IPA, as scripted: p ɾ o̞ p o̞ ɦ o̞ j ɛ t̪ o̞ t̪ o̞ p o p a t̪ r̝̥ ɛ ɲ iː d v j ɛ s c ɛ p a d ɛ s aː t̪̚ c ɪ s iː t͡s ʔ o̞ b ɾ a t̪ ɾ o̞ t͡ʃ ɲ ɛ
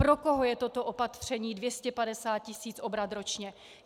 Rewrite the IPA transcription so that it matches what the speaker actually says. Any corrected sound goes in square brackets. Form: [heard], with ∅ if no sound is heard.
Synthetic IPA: p ɾ o̞ [k] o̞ ɦ o̞ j ɛ t̪ o̞ t̪ o̞ [ʔ] o p a t̪ r̝̥ ɛ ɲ iː d v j ɛ s c ɛ p a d ɛ s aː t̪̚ c ɪ s iː t͡s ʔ o̞ b ɾ a t̪ ɾ o̞ t͡ʃ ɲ ɛ